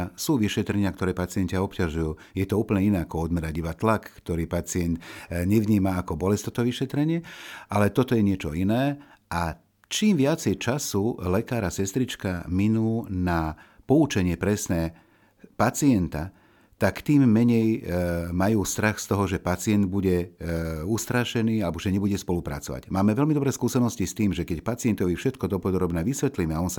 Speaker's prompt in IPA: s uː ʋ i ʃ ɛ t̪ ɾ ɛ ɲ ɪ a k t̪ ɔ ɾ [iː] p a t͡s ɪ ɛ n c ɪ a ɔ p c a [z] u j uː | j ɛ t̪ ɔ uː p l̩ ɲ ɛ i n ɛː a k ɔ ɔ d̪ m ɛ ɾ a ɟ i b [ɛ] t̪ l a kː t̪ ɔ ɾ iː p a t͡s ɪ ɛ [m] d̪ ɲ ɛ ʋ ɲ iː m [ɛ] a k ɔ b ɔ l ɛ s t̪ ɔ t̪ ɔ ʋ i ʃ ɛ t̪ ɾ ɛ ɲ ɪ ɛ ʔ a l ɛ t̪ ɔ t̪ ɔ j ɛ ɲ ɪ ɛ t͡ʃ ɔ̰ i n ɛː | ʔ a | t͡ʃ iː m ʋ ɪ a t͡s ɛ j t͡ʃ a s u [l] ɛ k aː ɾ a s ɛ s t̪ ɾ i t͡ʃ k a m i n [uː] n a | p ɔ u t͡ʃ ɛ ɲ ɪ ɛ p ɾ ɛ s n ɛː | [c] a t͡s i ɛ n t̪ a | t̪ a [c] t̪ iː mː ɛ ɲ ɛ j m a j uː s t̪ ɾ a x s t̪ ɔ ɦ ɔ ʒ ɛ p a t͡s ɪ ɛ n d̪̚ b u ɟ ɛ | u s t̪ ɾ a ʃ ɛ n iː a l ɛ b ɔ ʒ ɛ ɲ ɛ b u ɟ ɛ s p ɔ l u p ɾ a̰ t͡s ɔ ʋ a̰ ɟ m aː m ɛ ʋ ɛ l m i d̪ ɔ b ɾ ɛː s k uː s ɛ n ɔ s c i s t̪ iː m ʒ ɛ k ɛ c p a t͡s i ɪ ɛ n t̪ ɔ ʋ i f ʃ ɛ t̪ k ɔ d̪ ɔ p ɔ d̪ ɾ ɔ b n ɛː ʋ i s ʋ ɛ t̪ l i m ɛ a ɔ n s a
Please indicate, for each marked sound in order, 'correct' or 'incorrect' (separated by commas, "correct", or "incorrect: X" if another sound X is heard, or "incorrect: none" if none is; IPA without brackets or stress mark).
incorrect: ɛː, incorrect: ʒ, incorrect: a, incorrect: n, incorrect: a, correct, correct, incorrect: p, incorrect: k